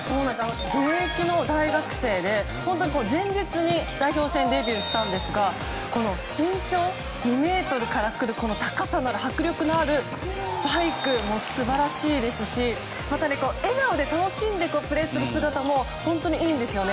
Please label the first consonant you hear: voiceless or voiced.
voiceless